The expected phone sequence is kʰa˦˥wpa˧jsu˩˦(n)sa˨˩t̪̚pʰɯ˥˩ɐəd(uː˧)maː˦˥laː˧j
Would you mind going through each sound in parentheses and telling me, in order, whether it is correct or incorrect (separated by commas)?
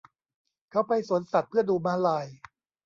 correct, correct